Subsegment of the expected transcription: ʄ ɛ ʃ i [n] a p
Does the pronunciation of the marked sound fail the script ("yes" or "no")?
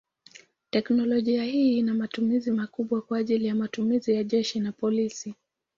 no